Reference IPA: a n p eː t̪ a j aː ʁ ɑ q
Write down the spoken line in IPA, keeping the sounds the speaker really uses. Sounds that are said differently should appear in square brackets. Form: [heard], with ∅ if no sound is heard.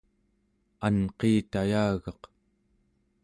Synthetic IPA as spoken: a n [q] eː t̪ a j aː [ɣ] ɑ q